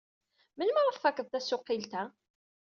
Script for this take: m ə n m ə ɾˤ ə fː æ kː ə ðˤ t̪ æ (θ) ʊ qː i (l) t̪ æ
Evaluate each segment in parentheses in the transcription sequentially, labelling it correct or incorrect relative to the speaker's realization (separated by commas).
incorrect, correct